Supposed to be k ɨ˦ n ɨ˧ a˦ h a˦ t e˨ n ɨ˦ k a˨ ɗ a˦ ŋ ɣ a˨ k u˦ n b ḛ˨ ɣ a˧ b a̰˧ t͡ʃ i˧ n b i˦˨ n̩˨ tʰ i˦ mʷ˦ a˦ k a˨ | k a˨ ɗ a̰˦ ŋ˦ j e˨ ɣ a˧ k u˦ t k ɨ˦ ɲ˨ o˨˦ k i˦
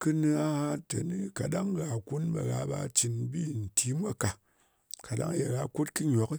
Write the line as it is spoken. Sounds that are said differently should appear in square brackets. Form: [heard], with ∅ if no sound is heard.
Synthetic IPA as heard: k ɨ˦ n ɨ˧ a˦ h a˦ t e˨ n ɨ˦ k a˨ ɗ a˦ ŋ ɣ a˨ k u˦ n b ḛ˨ ɣ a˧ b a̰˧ t͡ʃ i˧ n b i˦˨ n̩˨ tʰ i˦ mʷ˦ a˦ k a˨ | k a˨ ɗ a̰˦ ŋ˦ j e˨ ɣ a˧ k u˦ t k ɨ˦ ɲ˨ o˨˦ k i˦

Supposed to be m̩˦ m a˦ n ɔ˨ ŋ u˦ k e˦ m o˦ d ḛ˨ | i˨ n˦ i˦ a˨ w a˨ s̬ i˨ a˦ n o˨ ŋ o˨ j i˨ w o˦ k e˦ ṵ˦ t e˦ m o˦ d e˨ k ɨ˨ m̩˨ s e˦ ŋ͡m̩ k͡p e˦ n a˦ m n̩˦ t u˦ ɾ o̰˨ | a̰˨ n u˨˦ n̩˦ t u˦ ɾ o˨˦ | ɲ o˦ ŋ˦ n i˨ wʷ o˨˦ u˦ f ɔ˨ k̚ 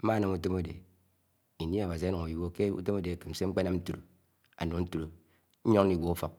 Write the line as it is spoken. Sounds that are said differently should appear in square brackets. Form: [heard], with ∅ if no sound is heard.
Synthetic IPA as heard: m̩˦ m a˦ n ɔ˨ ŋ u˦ [t] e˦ m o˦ d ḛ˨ | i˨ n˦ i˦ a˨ w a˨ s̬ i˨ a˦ n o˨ ŋ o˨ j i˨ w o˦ k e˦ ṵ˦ t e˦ m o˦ d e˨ k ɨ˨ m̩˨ s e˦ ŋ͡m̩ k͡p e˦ n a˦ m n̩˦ t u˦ ɾ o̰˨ | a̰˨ n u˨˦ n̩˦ t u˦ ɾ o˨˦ | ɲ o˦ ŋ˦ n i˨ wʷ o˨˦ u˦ f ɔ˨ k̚

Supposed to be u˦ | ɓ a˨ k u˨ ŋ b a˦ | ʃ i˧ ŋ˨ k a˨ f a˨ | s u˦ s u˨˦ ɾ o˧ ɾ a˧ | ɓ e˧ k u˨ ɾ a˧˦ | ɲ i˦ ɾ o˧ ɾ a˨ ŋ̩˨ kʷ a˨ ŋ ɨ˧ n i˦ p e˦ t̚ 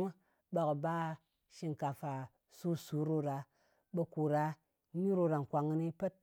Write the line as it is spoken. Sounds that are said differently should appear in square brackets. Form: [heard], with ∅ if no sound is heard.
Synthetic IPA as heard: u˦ | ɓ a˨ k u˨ [∅] b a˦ | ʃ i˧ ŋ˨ k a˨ f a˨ | s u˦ s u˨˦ ɾ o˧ ɾ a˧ | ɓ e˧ k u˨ ɾ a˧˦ | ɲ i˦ ɾ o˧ ɾ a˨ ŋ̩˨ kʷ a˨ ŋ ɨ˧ n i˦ p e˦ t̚

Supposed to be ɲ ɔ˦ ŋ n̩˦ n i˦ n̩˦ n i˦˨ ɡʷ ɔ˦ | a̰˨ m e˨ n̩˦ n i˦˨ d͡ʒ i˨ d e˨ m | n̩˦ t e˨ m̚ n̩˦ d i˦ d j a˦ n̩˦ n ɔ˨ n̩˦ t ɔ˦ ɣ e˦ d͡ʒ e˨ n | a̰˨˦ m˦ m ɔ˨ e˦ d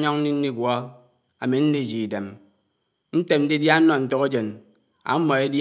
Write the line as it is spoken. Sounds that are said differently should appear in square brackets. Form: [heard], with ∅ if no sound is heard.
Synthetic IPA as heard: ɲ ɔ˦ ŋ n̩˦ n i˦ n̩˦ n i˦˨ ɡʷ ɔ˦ | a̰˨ m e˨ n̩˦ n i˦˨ d͡ʒ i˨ d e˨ m | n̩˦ t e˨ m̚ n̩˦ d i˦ d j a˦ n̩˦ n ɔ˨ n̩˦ t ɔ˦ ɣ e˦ d͡ʒ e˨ n | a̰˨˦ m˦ m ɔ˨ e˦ d

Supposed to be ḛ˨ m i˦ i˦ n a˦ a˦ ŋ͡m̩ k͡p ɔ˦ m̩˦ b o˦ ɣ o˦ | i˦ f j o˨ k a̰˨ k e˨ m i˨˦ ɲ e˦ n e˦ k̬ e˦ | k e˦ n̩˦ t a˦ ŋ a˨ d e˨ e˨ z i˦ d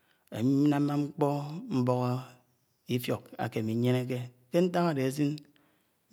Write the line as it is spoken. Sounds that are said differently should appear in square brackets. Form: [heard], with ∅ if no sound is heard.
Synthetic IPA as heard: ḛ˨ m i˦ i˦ n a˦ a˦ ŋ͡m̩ k͡p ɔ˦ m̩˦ b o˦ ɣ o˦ | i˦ f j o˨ k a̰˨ k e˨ m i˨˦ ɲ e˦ n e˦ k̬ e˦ | k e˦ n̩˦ t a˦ ŋ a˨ d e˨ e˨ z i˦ [n]

